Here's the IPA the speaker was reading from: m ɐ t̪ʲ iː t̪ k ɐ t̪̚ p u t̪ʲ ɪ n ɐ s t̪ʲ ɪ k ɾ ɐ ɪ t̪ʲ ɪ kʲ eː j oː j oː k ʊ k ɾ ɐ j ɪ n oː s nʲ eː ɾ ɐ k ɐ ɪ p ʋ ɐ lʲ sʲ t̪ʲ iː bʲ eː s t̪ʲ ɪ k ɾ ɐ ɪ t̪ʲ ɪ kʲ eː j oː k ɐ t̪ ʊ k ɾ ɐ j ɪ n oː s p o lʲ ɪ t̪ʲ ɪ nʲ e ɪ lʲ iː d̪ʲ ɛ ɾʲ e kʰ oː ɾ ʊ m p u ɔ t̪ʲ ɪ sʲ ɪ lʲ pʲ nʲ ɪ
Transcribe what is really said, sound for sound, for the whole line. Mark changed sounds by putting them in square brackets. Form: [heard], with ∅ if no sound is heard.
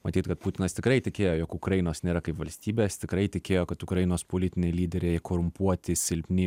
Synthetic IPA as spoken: m ɐ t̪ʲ iː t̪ k ɐ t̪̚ p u t̪ʲ ɪ n ɐ s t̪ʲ ɪ k ɾ ɐ ɪ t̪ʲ ɪ kʲ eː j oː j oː k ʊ k ɾ ɐ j ɪ n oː s nʲ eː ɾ ɐ k ɐ ɪ p ʋ ɐ lʲ sʲ t̪ʲ iː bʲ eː s t̪ʲ ɪ k ɾ ɐ ɪ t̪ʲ ɪ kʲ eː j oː k ɐ t̪ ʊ k ɾ ɐ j ɪ n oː s p o lʲ ɪ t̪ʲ ɪ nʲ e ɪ lʲ iː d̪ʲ ɛ ɾʲ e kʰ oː ɾ ʊ m p u ɔ t̪ʲ ɪ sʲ ɪ lʲ pʲ nʲ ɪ